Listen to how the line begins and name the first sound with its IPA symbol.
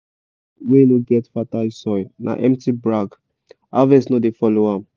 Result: w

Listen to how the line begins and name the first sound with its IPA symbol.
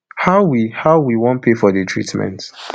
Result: h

